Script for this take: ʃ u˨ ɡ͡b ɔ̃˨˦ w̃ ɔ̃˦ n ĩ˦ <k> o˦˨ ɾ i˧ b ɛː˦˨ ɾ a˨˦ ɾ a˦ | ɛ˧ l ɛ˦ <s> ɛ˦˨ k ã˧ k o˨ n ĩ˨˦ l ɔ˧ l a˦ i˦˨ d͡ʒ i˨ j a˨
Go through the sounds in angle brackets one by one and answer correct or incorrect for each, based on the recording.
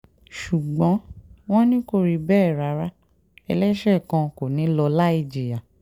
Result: correct, incorrect: ʃ

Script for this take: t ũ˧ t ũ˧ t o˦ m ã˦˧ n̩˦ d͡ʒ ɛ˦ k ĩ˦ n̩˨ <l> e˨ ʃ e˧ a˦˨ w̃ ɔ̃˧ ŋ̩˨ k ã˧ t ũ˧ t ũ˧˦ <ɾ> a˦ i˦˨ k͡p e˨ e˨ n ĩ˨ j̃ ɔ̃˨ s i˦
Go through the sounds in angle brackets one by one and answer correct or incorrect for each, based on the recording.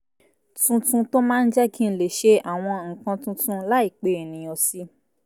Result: correct, incorrect: l

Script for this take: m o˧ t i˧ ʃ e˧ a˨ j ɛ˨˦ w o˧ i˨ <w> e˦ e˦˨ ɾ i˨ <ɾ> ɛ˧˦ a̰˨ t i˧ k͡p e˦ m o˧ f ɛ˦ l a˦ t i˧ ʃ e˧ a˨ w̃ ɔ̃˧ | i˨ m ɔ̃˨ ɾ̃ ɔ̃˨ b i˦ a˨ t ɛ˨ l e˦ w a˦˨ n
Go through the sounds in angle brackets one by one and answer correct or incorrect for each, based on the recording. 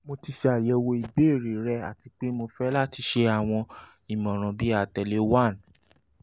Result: incorrect: b, correct

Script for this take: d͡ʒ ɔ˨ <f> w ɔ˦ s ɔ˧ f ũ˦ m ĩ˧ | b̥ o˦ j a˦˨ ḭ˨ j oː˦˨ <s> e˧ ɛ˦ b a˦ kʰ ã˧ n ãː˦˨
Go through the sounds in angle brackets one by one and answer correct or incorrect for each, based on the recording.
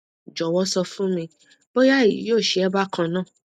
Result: incorrect: none, incorrect: ʃ

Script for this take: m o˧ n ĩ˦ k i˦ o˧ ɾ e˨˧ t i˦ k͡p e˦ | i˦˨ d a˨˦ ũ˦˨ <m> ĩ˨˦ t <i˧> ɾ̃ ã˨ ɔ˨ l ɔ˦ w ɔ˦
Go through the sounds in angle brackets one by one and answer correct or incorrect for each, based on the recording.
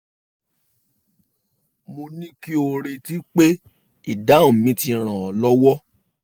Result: correct, correct

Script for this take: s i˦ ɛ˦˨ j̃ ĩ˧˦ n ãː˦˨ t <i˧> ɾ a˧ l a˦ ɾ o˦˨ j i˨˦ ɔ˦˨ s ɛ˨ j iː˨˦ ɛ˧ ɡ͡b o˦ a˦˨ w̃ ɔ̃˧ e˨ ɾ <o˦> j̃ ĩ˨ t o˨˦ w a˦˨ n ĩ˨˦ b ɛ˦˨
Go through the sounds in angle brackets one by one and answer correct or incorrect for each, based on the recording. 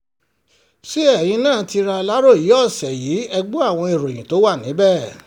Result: correct, incorrect: o˨

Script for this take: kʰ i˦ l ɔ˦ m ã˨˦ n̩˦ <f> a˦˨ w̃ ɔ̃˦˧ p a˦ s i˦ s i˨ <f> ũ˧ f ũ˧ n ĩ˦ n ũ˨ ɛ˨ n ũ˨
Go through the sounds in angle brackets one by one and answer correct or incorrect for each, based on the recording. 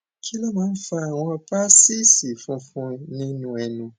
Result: correct, correct

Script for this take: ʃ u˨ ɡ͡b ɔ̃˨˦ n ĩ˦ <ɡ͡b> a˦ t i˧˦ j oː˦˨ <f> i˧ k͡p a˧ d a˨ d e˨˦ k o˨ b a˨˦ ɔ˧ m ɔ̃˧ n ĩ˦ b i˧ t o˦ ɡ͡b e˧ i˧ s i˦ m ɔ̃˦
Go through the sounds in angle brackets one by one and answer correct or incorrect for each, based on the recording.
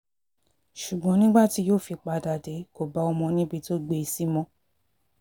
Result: correct, correct

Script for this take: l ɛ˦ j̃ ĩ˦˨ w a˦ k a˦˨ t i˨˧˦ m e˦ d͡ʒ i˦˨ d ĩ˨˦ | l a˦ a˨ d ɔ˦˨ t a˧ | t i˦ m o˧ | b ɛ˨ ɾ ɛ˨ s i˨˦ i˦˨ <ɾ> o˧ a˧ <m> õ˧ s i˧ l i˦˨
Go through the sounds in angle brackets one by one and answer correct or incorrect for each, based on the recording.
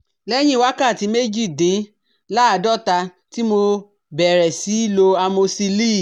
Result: incorrect: l, correct

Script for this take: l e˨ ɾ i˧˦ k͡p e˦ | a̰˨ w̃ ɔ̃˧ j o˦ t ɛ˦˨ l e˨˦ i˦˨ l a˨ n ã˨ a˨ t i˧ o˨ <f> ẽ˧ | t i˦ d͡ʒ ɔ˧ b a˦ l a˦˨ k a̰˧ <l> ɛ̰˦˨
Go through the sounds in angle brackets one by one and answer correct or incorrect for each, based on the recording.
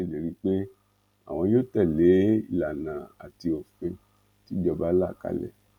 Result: correct, correct

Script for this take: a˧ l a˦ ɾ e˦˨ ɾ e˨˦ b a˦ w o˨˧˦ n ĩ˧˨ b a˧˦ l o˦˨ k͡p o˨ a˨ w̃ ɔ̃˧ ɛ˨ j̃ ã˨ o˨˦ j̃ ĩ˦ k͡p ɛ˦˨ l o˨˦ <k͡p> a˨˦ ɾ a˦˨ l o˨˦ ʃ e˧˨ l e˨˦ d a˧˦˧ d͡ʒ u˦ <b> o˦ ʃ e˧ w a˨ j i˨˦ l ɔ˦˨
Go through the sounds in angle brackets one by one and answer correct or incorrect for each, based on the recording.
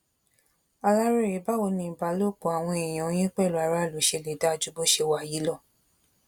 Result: incorrect: none, correct

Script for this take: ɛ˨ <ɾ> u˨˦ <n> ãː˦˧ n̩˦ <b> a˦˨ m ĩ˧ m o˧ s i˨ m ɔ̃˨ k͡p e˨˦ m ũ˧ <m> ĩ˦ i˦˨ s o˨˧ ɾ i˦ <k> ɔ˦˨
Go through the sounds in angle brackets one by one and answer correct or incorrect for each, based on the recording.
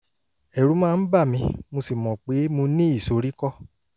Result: correct, incorrect: m, correct, incorrect: n, correct

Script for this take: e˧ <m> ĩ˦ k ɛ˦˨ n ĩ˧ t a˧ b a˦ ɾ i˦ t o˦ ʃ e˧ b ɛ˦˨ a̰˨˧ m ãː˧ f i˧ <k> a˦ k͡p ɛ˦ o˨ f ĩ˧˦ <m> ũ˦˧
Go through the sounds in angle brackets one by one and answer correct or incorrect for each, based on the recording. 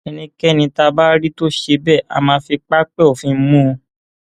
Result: incorrect: n, incorrect: k͡p, correct

